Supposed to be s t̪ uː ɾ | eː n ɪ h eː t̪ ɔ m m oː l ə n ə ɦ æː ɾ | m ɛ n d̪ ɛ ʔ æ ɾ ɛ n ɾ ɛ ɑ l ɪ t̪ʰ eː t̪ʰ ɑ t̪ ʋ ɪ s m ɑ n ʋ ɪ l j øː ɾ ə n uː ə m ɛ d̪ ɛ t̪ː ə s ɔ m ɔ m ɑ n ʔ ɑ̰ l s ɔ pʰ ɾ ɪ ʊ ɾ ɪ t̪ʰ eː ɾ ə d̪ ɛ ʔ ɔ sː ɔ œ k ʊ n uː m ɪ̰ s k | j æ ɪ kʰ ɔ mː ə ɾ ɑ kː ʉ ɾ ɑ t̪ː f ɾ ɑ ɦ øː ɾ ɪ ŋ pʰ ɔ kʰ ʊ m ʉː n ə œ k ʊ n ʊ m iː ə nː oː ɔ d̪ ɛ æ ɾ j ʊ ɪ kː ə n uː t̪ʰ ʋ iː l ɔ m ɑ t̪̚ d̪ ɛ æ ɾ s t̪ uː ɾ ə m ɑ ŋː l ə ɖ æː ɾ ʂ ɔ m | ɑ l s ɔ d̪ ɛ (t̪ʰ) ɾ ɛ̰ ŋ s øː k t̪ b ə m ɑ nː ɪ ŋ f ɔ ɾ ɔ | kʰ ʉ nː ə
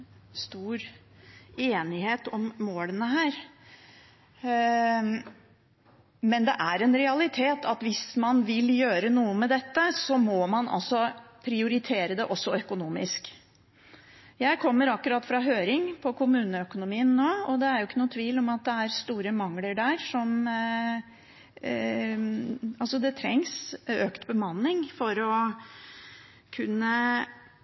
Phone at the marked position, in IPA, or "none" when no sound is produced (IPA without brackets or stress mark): t̪ʰ